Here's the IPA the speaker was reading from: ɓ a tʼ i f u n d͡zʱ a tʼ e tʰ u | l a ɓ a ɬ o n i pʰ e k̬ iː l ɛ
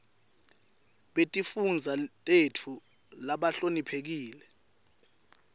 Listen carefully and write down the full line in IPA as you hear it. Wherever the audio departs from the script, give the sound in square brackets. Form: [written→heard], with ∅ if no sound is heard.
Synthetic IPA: ɓ [a→e] tʼ i f u n d͡zʱ a tʼ e tʰ u | l a ɓ a ɬ o n i pʰ e k̬ iː l ɛ